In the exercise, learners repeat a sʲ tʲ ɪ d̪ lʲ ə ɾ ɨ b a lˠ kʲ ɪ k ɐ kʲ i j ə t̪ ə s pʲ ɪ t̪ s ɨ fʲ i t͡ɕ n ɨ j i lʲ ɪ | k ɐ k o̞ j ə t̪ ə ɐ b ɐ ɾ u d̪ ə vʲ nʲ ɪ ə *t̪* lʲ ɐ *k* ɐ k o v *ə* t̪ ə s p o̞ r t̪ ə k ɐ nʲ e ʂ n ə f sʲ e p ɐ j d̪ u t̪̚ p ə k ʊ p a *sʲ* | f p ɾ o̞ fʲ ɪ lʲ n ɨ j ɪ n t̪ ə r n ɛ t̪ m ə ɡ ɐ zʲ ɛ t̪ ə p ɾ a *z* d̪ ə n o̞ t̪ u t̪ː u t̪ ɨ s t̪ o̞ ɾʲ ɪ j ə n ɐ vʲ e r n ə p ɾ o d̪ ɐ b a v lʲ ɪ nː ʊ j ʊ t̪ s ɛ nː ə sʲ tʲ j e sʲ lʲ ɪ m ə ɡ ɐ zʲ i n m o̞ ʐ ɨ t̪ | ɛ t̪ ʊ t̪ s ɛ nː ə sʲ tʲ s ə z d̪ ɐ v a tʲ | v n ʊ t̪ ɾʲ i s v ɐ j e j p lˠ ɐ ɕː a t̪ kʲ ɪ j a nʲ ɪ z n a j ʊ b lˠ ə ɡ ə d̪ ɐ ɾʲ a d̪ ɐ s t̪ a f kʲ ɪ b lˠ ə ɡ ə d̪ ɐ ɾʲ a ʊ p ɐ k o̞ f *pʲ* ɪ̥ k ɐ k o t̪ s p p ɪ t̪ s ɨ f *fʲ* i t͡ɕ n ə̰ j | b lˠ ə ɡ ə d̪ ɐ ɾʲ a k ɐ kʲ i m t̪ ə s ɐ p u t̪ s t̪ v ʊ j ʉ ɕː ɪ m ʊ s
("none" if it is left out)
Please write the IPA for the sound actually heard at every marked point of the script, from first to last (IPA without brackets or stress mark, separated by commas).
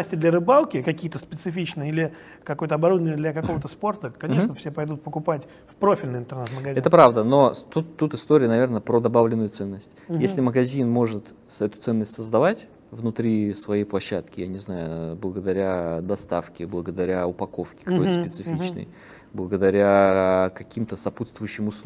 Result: d̪, k, ə, tʲ, v, kʲ, fʲ